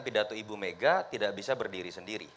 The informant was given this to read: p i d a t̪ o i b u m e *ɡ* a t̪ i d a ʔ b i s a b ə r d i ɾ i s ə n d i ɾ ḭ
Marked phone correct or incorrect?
correct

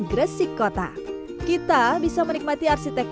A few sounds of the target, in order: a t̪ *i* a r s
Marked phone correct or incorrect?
correct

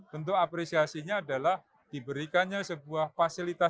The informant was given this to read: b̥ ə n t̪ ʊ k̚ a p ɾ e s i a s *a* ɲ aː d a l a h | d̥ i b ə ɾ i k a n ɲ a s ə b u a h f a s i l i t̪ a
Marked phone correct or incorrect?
incorrect: i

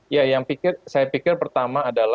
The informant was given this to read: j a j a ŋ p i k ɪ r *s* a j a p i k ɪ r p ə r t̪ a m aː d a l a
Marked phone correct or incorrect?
correct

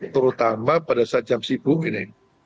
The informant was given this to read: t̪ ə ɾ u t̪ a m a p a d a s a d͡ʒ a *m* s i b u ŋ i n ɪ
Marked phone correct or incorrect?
correct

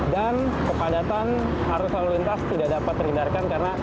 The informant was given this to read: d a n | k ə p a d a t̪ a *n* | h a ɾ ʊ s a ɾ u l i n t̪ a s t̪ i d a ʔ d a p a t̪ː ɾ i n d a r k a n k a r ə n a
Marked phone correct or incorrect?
correct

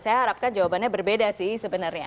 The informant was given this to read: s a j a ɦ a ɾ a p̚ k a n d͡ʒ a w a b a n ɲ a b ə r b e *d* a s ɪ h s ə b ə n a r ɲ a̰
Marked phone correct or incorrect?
correct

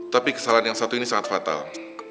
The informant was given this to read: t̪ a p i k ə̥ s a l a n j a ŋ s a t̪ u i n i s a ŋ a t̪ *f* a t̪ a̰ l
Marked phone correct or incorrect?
correct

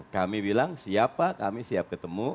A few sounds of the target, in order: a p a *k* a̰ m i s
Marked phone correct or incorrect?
correct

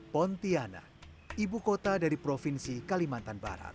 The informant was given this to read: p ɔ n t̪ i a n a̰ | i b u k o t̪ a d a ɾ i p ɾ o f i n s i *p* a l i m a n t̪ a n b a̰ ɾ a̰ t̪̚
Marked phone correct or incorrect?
incorrect: k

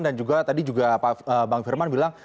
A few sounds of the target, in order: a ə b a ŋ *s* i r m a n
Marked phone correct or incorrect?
incorrect: f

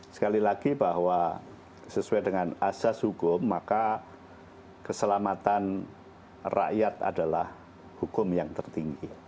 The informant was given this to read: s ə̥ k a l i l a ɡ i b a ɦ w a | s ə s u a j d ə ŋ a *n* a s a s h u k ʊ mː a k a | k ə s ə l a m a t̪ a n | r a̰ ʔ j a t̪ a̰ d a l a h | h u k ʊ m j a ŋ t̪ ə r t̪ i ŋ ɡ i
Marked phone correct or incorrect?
correct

